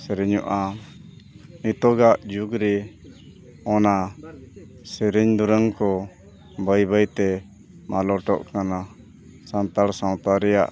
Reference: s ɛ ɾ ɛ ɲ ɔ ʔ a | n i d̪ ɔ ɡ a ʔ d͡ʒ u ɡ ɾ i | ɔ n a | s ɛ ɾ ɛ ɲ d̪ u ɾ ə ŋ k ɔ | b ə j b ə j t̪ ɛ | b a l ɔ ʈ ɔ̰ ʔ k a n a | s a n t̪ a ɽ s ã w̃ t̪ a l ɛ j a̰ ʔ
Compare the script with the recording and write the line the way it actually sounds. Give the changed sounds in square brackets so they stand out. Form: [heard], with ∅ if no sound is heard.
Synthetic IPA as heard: s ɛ ɾ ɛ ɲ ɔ ʔ a | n i [t̪] ɔ ɡ a ʔ d͡ʒ u ɡ ɾ [ɛ] | ɔ n a | s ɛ ɾ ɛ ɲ d̪ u ɾ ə ŋ k ɔ | b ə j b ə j t̪ ɛ | [m] a l ɔ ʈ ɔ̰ ʔ k a n a | s a n t̪ a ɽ s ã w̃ t̪ a [ɾ] ɛ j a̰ ʔ